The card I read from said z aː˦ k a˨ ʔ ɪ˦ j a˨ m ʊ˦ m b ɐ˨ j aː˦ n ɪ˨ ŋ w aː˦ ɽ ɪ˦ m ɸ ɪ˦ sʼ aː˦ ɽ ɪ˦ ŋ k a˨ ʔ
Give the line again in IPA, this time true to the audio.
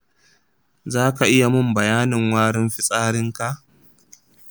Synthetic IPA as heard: z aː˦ k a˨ ʔ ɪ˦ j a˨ m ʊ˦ m b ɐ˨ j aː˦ n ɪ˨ ŋ w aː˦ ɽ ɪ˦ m ɸ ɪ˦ sʼ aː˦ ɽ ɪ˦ ŋ k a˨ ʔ